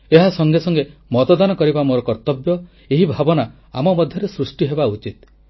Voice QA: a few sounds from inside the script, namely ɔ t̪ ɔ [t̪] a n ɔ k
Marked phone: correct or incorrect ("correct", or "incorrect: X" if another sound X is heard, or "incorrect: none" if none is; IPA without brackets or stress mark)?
incorrect: d̪